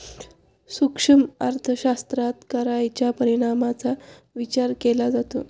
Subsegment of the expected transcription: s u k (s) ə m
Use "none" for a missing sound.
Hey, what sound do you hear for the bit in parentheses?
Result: ʂ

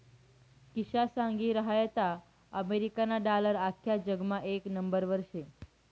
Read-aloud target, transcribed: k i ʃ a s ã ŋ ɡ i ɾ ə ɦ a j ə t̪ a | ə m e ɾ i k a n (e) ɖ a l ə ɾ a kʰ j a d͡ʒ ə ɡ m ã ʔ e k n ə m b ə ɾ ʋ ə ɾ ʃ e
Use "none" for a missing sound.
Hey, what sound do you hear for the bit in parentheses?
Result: a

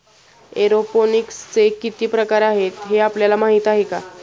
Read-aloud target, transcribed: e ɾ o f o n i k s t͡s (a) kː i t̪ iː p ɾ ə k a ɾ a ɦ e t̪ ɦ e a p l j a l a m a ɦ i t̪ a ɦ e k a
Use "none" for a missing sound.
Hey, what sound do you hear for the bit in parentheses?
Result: e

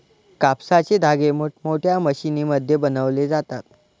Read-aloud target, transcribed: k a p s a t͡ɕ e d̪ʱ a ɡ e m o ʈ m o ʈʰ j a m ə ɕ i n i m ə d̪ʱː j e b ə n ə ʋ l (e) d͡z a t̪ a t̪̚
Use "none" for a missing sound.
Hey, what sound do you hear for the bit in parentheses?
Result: e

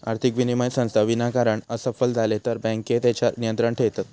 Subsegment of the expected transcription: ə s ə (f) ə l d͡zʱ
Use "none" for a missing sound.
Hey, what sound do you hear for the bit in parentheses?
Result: f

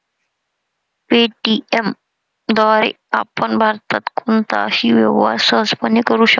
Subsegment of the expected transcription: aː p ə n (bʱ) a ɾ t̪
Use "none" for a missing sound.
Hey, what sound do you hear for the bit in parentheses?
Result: bʱ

